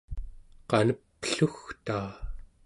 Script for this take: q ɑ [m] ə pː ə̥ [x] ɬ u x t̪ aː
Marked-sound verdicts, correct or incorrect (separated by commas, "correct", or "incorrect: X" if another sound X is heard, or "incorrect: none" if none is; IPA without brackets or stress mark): incorrect: n, incorrect: none